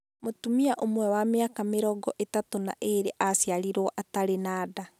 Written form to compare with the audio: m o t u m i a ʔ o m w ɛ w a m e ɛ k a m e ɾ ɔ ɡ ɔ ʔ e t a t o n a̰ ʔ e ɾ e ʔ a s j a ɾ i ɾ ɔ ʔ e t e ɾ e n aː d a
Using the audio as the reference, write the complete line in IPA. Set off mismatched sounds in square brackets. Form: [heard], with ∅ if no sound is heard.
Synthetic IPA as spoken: m o t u m i a ʔ o m w ɛ w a m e [a] k a m e ɾ ɔ ɡ ɔ ʔ e t a t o n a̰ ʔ e ɾ e ʔ a s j a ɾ i ɾ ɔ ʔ [a] t [a] ɾ e n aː d a

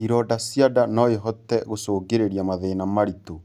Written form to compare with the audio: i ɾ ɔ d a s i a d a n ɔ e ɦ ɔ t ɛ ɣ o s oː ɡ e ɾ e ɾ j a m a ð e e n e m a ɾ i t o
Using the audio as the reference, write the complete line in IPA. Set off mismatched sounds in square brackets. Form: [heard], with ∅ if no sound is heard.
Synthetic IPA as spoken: i ɾ ɔ d a s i a d a n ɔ e ɦ ɔ t ɛ ɣ o s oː ɡ e ɾ e ɾ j a m a ð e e n [a] m a ɾ i t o

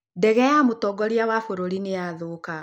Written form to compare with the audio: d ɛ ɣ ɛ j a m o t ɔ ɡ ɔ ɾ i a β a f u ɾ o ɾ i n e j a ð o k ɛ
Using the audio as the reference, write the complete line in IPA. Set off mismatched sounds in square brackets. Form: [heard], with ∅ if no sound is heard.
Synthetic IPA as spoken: d ɛ ɣ ɛ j a m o t ɔ ɡ ɔ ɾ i a [w] a f [o] ɾ o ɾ i n e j a ð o k [a]

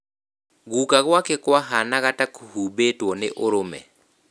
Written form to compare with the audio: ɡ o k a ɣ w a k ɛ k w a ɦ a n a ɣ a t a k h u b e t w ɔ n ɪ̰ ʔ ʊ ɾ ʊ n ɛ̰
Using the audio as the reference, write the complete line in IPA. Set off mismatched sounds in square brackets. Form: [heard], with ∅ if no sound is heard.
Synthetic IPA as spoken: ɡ [u] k a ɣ w a k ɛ k w a ɦ a n a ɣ a t a k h u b e t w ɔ n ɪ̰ ʔ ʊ ɾ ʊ [m] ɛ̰

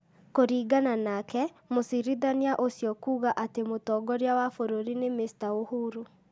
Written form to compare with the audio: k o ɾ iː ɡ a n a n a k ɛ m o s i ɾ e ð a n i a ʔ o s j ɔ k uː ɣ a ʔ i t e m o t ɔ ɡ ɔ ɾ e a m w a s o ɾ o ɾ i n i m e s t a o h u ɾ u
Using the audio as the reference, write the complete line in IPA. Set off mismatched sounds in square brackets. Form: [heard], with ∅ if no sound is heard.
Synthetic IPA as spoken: k o ɾ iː ɡ a n a n a k ɛ m o s i ɾ [i] ð a n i a ʔ o s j ɔ k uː ɣ a ʔ [a] t e m o t ɔ ɡ ɔ ɾ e a [∅] w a [f] o ɾ o ɾ i n [e] m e s t a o h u ɾ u

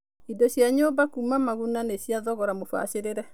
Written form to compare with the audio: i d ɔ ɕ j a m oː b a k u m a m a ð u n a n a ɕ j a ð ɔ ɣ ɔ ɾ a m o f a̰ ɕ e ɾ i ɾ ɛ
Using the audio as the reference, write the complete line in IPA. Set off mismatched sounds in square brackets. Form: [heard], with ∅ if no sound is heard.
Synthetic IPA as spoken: i d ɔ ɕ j a [ɲ] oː b a k u m a m a [ɣ] u n a n [e] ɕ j a ð ɔ ɣ ɔ ɾ a m o f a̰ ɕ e ɾ [e] ɾ ɛ

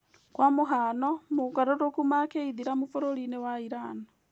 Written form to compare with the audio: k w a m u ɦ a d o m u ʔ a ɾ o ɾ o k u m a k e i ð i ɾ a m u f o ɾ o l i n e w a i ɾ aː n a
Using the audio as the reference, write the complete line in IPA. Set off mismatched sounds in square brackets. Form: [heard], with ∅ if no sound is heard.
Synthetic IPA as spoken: k w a m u ɦ a [n] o m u [k] a ɾ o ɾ o k u m a k e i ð i ɾ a m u f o ɾ o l i n e w a i ɾ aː n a

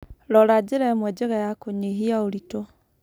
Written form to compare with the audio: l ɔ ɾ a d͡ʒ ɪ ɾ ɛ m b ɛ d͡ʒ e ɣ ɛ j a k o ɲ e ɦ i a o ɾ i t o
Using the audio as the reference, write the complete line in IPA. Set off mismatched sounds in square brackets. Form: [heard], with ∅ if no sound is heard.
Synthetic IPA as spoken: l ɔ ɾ a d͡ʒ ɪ ɾ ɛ m [w] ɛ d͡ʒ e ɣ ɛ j a k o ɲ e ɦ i a o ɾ i t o

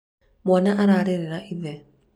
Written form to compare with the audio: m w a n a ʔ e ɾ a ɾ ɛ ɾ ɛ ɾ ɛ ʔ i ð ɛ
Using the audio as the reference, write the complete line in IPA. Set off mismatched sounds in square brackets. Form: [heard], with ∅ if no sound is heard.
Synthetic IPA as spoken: m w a n a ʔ [a] ɾ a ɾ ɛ ɾ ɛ ɾ [a] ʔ i ð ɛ

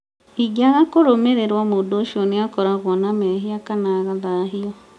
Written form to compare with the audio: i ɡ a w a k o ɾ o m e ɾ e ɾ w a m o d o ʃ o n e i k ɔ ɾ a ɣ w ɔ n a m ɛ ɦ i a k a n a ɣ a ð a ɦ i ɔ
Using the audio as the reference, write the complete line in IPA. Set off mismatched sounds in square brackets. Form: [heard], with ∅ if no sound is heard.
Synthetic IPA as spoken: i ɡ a [ɣ] a k o ɾ o m e ɾ e ɾ w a m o d o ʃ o n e [a] k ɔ ɾ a ɣ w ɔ n a m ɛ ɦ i a k a n a ɣ a ð a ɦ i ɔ

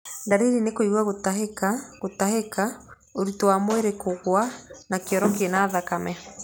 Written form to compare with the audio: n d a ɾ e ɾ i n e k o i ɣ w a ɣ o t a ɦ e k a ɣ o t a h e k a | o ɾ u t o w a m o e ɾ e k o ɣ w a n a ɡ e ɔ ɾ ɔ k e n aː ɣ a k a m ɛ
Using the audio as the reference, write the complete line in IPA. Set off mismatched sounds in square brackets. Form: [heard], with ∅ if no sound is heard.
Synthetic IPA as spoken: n d a ɾ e ɾ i n e k o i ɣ w a ɣ o t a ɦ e k a ɣ o t a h e k a | o ɾ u t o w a m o e ɾ e k o ɣ w a n a [k] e ɔ ɾ ɔ k e n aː [ð] a k a m ɛ

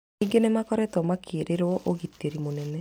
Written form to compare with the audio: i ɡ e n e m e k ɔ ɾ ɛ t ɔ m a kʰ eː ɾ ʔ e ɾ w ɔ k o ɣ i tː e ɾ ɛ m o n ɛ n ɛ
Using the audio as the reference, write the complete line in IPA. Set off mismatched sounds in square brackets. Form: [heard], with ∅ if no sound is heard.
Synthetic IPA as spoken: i ɡ e n e m [a] k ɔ ɾ ɛ t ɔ m a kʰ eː ɾ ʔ e ɾ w ɔ [ʔ] o ɣ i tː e ɾ [i] m o n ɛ n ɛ

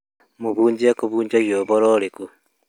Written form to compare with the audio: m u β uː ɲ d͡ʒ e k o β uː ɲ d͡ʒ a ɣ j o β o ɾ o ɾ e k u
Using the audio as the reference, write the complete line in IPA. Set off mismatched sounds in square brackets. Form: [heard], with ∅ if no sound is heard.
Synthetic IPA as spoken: m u β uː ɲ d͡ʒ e k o β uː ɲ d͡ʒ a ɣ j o β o ɾ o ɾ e k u

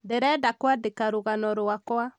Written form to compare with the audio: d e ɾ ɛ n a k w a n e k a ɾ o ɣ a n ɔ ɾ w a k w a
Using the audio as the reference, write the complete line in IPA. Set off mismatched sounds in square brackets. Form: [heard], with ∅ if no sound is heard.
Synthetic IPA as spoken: d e ɾ ɛ [d] a k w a [d] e k a ɾ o ɣ a n ɔ ɾ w a k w a

